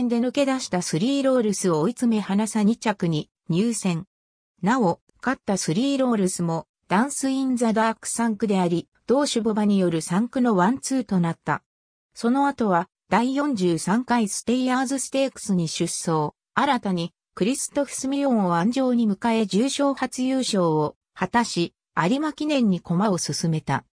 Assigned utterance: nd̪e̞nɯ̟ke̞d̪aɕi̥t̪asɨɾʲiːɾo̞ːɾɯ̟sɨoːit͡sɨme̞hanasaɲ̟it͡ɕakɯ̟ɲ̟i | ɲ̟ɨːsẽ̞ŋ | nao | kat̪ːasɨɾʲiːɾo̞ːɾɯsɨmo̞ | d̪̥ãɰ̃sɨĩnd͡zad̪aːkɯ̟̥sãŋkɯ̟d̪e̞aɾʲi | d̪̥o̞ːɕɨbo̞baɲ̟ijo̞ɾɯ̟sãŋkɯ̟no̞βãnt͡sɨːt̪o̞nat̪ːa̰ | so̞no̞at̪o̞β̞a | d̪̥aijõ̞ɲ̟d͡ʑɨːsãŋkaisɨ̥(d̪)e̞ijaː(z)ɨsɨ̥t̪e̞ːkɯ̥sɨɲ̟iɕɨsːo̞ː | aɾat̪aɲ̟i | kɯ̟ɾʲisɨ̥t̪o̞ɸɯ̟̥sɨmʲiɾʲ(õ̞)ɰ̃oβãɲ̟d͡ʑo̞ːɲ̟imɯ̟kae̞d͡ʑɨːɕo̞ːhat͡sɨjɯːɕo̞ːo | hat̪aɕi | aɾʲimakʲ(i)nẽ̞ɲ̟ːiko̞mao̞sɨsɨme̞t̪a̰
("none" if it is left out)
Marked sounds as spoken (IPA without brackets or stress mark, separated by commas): t̪, z, õ̞, i